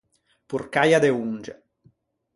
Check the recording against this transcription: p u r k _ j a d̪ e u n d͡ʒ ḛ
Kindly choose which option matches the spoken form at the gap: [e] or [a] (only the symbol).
a